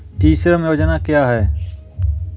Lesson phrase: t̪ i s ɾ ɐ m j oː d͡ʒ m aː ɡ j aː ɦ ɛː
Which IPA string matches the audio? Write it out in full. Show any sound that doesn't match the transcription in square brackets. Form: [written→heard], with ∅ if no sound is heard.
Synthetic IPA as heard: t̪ [i→iː] s ɾ [ɐ→ə] m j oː d͡ʒ [m→n] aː [ɡ→k] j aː ɦ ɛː